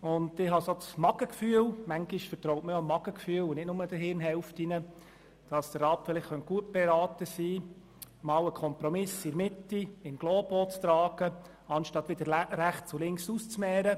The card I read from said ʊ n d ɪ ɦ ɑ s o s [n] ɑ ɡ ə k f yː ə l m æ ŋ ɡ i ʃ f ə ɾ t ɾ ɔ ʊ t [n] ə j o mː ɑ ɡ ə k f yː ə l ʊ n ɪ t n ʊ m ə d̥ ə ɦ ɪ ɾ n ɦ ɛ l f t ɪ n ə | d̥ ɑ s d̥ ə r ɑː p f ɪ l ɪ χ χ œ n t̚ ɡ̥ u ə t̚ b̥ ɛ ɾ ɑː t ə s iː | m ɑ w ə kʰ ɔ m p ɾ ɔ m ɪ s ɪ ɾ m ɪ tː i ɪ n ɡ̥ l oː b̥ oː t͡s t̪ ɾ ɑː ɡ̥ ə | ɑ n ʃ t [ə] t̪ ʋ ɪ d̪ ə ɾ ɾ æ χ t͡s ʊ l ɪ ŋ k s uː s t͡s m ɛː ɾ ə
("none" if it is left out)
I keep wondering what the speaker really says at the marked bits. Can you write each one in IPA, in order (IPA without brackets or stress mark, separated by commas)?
m, m, ɑ